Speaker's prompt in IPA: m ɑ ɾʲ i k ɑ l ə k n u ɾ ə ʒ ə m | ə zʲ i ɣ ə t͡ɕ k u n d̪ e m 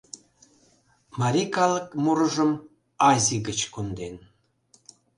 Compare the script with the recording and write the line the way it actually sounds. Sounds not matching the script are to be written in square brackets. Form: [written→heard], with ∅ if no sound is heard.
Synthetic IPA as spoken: m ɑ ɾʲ i k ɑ l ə k [n→m] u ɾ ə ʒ ə m | [ə→ɑ] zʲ i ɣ ə t͡ɕ k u n d̪ e [m→n]